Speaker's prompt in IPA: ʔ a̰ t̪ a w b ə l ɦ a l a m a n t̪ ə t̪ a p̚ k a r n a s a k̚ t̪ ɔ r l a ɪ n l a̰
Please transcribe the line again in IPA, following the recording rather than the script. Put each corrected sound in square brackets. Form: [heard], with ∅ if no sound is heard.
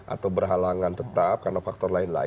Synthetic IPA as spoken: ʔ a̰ t̪ a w b ə [r] ɦ a l a [ŋ] a n t̪ ə t̪ a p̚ k a r n a [f] a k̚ t̪ ɔ r l a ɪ n l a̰